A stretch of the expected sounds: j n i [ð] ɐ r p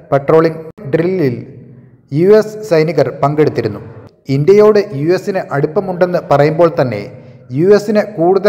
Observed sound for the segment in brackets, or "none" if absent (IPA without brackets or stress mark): ɣ